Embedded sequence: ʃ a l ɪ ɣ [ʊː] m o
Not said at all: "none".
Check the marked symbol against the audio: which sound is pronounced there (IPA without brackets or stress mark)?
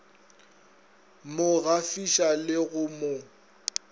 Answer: ʊ